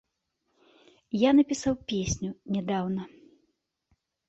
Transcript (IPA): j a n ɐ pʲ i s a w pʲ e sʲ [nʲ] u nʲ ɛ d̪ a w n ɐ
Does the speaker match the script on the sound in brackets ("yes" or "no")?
yes